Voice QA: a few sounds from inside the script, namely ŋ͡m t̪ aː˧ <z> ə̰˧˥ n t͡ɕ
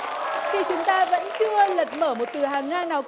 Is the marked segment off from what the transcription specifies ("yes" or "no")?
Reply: yes